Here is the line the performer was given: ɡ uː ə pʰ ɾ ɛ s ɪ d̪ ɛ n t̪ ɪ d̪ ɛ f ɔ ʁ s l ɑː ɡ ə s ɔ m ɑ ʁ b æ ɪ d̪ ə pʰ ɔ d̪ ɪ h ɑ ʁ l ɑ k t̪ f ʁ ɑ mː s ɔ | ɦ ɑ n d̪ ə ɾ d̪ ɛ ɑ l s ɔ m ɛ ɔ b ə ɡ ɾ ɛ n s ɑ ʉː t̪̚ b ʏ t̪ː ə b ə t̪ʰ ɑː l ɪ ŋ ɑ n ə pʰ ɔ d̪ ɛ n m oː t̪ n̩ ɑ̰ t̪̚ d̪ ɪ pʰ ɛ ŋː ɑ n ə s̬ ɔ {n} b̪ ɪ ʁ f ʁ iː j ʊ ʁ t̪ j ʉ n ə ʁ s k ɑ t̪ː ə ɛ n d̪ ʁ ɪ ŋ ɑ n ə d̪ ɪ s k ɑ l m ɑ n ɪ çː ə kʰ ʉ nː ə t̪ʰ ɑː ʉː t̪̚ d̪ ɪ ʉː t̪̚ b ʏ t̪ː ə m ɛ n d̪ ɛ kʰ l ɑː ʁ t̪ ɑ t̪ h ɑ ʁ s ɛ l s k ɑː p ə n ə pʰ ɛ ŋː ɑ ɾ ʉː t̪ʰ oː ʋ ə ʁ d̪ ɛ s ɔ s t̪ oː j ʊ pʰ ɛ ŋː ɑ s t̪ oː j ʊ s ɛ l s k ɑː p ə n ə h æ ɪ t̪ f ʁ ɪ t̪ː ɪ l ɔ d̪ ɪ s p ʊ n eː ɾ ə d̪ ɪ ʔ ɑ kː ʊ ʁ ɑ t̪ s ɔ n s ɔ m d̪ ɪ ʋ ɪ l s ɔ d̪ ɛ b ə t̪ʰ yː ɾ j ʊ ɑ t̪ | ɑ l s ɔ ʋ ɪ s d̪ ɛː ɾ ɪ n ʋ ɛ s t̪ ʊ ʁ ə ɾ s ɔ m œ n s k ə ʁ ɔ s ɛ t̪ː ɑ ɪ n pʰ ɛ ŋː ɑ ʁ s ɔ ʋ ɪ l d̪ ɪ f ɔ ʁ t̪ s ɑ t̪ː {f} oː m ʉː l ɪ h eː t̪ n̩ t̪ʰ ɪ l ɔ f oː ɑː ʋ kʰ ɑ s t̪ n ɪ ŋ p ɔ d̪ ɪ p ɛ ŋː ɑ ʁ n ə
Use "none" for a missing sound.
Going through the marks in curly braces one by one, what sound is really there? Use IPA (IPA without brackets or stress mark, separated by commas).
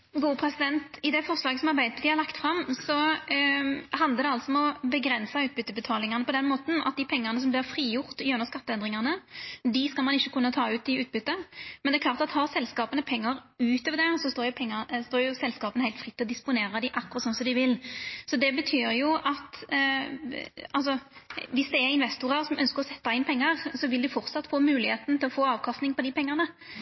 m, f